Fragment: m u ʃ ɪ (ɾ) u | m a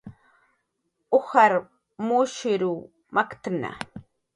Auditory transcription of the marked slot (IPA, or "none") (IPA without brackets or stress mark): ɾ